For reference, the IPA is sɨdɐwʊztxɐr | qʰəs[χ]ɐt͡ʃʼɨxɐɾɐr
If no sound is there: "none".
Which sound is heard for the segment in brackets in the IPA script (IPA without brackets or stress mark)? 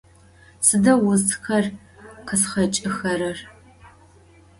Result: χ